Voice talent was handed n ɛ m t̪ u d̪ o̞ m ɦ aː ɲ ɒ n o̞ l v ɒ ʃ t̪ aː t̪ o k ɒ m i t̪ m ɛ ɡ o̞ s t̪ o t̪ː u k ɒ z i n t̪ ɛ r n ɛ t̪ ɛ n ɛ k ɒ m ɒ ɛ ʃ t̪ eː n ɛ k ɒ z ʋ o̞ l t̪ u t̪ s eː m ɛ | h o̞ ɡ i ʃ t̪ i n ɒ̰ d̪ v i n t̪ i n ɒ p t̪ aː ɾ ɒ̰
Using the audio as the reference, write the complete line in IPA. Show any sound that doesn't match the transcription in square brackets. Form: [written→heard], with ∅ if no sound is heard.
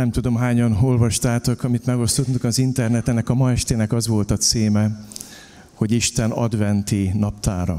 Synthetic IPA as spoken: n ɛ m t̪ u d̪ o̞ m ɦ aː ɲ ɒ n o̞ l v ɒ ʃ t̪ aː t̪ o k ɒ m i t̪ m ɛ ɡ o̞ s t̪ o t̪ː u k ɒ z i n t̪ ɛ r n ɛ t̪ ɛ n ɛ k ɒ m ɒ ɛ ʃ t̪ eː n ɛ k ɒ z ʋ o̞ l t̪ [u→ɒ] t̪ s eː m ɛ | h o̞ [ɡ→ɟ] i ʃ t̪ [i→ɛ] n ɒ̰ d̪ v [i→ɛ] n t̪ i n ɒ p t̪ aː ɾ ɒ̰